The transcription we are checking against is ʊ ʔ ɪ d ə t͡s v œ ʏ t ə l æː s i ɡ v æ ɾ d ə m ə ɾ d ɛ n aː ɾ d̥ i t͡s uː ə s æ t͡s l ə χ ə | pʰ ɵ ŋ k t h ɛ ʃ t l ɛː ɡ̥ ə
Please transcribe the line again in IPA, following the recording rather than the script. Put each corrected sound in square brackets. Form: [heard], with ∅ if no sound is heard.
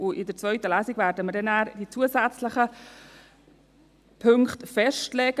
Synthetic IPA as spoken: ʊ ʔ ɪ d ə t͡s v œ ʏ t ə l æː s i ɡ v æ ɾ d ə m ə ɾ d ɛ n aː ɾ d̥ i t͡s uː ə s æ t͡s l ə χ ə | pʰ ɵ ŋ k t [f] ɛ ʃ t l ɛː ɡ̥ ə